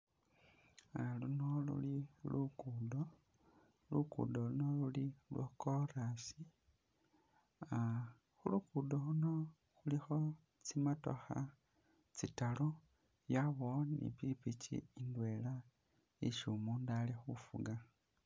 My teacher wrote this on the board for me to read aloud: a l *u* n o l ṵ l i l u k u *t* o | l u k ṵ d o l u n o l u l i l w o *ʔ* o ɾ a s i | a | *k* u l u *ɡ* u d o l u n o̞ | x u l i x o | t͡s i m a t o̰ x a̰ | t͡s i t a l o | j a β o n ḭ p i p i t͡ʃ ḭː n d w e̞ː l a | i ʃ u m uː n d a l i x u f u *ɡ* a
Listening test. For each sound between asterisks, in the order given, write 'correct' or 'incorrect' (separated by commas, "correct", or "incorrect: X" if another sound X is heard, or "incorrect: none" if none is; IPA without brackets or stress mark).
correct, incorrect: d, incorrect: k, incorrect: x, incorrect: k, correct